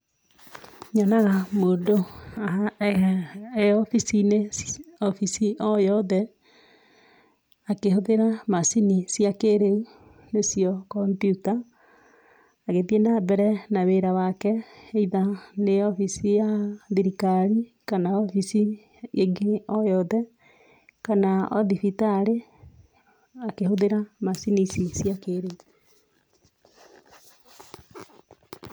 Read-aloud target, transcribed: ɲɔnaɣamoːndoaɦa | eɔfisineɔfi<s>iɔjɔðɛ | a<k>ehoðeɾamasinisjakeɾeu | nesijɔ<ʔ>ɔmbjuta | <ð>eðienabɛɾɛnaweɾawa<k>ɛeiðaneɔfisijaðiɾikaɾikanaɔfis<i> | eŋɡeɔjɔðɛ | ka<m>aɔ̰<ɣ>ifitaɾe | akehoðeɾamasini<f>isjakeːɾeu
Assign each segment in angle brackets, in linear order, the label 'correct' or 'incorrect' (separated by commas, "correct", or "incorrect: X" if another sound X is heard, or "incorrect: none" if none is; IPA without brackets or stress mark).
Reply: correct, correct, incorrect: k, incorrect: ɣ, correct, correct, incorrect: n, incorrect: ð, incorrect: s